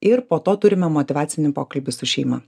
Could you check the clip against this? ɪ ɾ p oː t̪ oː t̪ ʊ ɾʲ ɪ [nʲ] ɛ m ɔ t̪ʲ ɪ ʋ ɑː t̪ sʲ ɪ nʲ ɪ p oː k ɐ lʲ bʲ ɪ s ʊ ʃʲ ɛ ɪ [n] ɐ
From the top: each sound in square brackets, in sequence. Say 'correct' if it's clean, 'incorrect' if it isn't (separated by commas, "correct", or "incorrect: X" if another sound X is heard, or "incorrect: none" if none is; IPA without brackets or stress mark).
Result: incorrect: mʲ, incorrect: m